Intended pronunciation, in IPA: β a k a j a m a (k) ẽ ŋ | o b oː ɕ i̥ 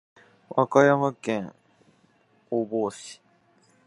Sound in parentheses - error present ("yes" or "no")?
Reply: no